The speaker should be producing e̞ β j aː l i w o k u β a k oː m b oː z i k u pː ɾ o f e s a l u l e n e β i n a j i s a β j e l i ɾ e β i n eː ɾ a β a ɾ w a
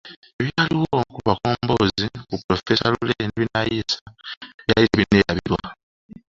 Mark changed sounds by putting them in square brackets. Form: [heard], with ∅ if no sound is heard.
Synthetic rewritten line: e̞ β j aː l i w o k u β a k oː m b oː z i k u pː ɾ o f e s a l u l e n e β i n a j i s a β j [a] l i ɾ e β i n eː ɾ a β [i] ɾ w a